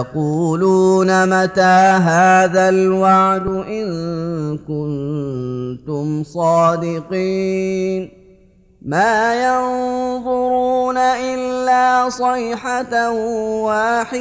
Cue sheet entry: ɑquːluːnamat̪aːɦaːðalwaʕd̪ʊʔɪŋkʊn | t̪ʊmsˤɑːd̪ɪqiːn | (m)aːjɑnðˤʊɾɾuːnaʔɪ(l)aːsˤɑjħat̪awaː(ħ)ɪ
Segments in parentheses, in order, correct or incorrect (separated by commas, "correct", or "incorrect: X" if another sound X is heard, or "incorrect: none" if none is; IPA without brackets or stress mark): correct, incorrect: lː, correct